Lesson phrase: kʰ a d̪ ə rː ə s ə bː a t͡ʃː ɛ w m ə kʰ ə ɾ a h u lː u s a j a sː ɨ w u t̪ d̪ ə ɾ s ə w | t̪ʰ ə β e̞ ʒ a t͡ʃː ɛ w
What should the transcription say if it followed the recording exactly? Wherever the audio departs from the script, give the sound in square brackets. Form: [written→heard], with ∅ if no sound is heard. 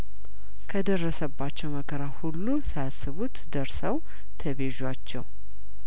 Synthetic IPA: kʰ [a→ə] d̪ ə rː ə s ə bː a t͡ʃː ɛ w m ə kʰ ə ɾ a h u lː u s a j a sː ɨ [w→β] u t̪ d̪ ə ɾ s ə w | t̪ʰ ə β e̞ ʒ a t͡ʃː ɛ w